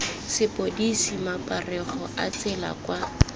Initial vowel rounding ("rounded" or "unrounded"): unrounded